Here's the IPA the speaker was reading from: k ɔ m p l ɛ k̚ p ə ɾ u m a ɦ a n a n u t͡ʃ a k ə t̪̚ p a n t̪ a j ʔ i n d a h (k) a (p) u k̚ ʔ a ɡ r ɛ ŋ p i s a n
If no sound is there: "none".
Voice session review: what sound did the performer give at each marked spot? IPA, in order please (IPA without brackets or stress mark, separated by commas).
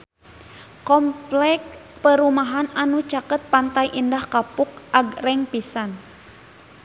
k, p